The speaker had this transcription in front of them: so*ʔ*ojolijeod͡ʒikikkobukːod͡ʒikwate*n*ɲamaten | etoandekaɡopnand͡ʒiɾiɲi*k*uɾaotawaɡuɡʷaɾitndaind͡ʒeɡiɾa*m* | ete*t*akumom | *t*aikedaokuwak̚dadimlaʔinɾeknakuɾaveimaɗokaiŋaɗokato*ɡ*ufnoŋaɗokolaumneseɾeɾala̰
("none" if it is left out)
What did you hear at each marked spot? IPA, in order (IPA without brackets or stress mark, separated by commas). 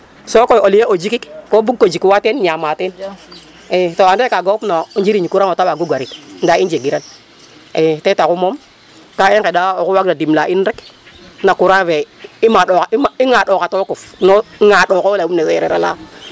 k, n, k, n, t, k, k